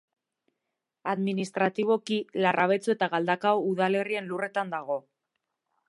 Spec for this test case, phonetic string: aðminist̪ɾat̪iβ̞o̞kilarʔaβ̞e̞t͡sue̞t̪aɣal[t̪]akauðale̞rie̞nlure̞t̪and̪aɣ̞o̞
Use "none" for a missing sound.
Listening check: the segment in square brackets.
d̪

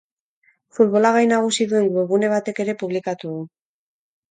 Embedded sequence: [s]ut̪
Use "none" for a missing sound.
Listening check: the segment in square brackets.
f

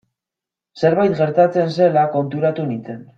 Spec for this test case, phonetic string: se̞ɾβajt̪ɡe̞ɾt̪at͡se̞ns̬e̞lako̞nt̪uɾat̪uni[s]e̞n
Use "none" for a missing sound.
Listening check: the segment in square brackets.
t͡s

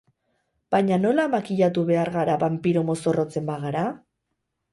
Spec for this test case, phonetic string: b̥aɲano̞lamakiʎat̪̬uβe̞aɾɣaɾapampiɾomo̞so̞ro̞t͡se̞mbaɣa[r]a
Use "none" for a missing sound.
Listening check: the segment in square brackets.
ɾ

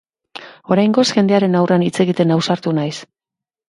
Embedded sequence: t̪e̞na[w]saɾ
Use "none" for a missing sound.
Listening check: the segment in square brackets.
w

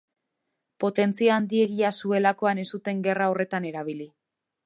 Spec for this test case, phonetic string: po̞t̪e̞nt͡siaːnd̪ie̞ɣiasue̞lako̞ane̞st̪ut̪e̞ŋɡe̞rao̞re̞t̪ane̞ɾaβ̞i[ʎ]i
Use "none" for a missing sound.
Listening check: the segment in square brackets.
l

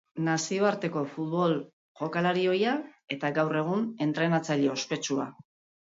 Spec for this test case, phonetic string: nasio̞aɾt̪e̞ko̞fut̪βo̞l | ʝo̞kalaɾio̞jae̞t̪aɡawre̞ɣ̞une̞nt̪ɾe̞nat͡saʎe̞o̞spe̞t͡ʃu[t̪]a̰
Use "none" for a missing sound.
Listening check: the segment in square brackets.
none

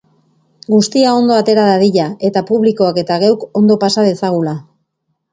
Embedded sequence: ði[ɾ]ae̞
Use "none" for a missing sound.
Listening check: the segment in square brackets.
ʎ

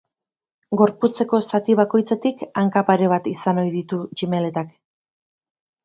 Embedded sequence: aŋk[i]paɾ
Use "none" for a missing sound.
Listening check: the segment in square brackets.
a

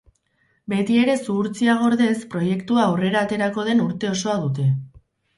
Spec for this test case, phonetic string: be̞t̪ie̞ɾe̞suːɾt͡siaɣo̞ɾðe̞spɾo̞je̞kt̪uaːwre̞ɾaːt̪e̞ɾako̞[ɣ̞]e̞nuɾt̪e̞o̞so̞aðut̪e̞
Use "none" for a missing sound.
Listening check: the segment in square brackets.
ð̞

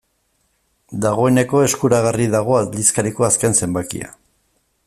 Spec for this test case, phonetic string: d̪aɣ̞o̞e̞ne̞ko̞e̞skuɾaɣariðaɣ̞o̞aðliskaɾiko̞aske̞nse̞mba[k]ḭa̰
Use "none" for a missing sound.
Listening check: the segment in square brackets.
k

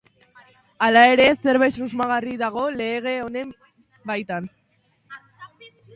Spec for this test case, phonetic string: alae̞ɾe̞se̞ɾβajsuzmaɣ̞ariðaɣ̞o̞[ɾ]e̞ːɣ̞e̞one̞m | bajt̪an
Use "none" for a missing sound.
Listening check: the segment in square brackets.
l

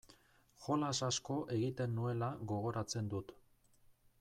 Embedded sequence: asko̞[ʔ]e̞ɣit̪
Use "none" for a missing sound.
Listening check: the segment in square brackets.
ʔ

